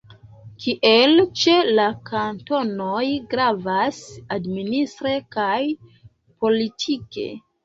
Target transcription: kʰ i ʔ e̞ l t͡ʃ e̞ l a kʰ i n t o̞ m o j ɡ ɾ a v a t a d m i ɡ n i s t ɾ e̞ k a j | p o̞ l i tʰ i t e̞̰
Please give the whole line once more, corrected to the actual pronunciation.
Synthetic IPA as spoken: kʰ i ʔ e̞ l t͡ʃ e̞ l a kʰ a n t o̞ n o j ɡ ɾ a v a s a d m i n i s t ɾ e̞ k a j | p o̞ l i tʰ i k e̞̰